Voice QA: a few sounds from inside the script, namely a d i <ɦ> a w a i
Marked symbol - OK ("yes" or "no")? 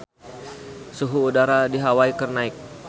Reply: yes